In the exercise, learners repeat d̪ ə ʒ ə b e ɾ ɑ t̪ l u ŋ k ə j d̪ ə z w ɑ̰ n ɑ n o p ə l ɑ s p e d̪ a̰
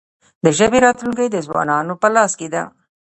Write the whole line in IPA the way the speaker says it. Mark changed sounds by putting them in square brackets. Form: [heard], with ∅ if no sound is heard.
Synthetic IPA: d̪ ə ʒ ə b e ɾ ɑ t̪ l u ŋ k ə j d̪ ə z w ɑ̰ n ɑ n o p ə l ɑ s [k] e d̪ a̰

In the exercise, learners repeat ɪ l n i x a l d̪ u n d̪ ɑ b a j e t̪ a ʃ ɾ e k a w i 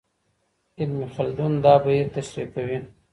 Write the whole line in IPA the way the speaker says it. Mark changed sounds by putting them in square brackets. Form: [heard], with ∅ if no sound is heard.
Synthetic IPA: ɪ l [m] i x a l d̪ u n d̪ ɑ b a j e t̪ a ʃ ɾ [i] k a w i

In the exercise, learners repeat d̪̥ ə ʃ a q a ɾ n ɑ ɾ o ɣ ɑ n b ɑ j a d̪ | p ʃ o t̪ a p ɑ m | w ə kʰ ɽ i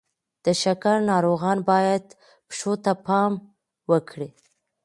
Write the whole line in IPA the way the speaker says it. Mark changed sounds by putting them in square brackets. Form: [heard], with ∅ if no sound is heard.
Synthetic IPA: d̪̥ ə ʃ a [k] a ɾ n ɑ ɾ o ɣ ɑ n b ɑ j a d̪ | p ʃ o t̪ a p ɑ m | w ə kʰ ɽ i

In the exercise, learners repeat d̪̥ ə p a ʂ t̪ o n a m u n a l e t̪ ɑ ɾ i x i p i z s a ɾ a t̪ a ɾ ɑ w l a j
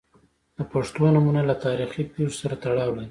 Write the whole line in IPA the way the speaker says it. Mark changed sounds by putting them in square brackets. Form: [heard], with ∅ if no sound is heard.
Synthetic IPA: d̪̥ ə p a ʂ t̪ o n a m u n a l [a] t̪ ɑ ɾ i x i p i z s a ɾ a t̪ a [ɽ] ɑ w l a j

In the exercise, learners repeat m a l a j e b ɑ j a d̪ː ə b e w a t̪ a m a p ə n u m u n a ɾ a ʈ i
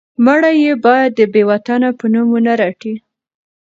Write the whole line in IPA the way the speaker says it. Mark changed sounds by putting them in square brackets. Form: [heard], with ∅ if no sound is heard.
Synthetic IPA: m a [ɽ] a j e b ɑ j a d̪ː ə b e w a t̪ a [n] a p ə n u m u n a ɾ a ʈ i

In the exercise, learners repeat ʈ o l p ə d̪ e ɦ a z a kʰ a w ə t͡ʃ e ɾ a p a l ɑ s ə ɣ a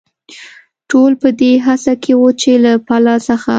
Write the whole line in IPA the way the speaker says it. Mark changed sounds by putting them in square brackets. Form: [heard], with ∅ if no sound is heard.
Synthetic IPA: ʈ o l p ə d̪ e ɦ a [s] a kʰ [e] w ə t͡ʃ e [l] a p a l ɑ s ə [x] a

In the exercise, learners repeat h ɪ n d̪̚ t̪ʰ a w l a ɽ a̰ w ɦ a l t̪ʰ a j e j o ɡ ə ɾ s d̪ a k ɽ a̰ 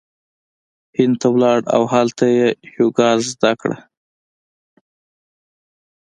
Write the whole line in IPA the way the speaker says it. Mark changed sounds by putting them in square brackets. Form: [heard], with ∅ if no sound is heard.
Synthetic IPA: h ɪ n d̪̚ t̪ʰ a w l [ɑ] ɽ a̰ w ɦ a l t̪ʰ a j e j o ɡ [ɑ] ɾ [z] d̪ a k ɽ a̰

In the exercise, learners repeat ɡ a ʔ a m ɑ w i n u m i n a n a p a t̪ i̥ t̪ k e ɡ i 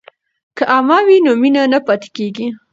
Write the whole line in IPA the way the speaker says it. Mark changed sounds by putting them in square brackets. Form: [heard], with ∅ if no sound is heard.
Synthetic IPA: [k] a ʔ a m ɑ w i n [o] m i n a n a p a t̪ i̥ [∅] k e ɡ i

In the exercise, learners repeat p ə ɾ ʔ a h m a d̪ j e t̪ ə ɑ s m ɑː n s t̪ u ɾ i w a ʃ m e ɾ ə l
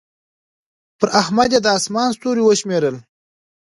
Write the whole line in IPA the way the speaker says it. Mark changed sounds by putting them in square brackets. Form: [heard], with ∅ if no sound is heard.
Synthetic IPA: p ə ɾ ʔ a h m a d̪ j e [d̪] ə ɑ s m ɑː n s t̪ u ɾ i w [ə] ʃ m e ɾ ə l

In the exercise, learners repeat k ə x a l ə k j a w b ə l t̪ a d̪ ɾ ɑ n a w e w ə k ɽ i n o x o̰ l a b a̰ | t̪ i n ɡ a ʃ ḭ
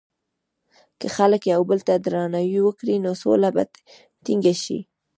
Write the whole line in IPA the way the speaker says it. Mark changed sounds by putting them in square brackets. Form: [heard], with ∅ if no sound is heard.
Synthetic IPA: k ə x a l ə k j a w b ə l t̪ a d̪ ɾ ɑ n a w [i] w ə k ɽ i n o [s] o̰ l a b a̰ | t̪ i [ŋ] ɡ a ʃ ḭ

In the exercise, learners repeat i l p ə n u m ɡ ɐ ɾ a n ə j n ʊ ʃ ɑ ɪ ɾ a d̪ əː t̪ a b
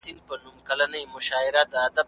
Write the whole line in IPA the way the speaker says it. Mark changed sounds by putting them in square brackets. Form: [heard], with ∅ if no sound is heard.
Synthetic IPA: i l p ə n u m [k] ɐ [l] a n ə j [m] ʊ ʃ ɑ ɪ ɾ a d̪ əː [d̪] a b

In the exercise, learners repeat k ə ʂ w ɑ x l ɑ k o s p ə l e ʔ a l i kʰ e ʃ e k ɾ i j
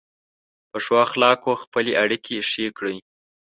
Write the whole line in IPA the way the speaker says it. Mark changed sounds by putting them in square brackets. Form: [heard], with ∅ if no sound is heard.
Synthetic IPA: [p] ə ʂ w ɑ x l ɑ k o [x] p ə l e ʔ a [ɽ] i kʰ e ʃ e k [ɽ] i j

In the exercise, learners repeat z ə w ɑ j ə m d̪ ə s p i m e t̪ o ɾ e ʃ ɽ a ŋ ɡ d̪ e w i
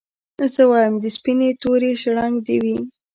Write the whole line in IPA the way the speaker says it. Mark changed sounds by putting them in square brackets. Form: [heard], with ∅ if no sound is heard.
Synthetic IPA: z ə w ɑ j ə m d̪ ə s p i [n] e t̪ o ɾ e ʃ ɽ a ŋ ɡ d̪ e w i

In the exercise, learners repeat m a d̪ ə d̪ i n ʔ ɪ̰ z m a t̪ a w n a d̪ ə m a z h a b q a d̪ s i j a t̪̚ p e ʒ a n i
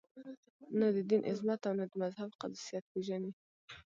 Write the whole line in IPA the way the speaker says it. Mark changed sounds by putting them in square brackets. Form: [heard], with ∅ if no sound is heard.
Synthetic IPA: [n] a d̪ ə d̪ i n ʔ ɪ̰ z m a t̪ a w n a d̪ ə m a z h a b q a d̪ s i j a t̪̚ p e ʒ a n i

